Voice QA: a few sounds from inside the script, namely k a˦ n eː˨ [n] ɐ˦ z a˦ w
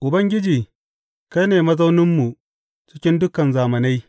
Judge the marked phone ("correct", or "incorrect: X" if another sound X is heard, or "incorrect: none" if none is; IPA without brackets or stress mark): incorrect: m